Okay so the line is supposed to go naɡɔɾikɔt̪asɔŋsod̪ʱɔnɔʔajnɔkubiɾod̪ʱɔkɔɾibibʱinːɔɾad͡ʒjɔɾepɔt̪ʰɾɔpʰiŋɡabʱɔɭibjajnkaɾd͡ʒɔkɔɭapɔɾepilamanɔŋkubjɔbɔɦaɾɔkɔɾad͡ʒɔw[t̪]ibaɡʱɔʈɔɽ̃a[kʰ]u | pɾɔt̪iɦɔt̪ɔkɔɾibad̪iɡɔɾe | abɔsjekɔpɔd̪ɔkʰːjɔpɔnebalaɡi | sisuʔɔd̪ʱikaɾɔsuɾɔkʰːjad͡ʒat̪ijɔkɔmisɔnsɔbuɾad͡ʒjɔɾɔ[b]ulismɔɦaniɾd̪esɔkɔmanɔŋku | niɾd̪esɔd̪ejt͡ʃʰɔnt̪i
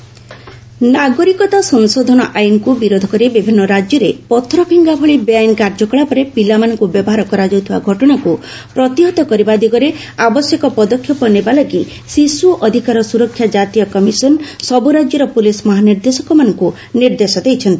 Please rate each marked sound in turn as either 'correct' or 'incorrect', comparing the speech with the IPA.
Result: incorrect: t̪ʰ, incorrect: k, incorrect: p

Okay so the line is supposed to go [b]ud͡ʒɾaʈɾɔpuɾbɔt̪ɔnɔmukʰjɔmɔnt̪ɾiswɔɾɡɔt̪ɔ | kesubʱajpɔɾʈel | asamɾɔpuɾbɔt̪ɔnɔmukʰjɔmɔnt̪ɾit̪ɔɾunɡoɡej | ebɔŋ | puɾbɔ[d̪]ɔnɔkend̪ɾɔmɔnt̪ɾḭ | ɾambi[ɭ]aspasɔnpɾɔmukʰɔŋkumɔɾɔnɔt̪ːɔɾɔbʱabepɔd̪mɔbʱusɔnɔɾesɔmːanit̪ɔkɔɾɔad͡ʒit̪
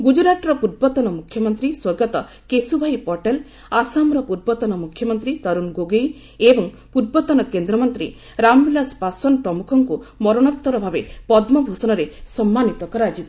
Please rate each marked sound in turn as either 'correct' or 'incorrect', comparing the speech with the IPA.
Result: incorrect: ɡ, incorrect: t̪, incorrect: l

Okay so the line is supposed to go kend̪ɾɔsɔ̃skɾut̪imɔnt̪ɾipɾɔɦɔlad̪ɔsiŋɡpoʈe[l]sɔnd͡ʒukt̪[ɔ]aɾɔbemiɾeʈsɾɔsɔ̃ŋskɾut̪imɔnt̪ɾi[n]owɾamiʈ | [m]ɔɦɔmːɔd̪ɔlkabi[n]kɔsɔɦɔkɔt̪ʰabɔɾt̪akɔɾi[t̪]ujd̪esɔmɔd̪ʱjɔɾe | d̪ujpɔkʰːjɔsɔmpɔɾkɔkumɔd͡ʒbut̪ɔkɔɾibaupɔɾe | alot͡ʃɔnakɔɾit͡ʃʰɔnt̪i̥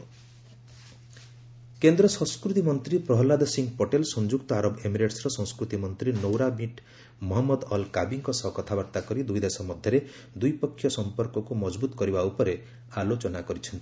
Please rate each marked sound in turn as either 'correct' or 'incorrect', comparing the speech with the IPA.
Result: correct, correct, correct, correct, incorrect: ŋ, incorrect: d̪

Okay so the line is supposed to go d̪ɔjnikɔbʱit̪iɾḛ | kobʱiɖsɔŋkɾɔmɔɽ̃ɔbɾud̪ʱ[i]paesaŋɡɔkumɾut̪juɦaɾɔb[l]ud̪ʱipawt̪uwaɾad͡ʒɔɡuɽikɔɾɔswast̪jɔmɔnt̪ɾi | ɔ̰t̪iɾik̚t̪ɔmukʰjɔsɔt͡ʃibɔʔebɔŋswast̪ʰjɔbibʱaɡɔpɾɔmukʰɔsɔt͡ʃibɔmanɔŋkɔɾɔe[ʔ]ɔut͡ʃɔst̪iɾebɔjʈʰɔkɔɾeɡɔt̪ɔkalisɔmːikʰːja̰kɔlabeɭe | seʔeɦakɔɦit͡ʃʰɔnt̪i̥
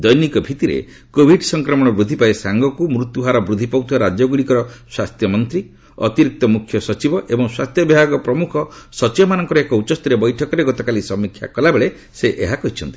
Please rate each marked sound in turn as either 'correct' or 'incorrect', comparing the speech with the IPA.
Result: correct, incorrect: ɾ, incorrect: k

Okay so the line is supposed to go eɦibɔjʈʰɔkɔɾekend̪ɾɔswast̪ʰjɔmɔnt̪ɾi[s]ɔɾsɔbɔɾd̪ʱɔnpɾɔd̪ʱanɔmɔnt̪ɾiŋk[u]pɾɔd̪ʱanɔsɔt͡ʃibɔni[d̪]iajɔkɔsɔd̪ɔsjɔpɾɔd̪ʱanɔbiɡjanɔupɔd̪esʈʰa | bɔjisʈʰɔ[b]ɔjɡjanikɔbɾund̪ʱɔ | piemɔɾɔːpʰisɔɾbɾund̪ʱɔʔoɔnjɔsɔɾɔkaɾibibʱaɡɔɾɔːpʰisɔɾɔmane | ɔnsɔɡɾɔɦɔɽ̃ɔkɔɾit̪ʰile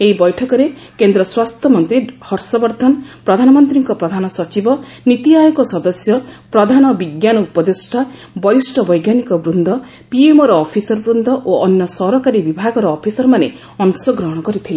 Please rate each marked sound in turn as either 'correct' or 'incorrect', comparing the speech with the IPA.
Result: incorrect: h, incorrect: ɔ, incorrect: t̪, correct

